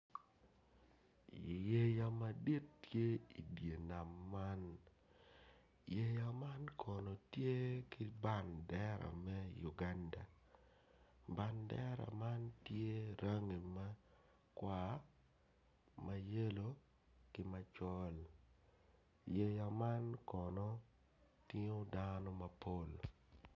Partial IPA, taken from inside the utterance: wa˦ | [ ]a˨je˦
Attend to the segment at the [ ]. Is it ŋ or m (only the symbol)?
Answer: m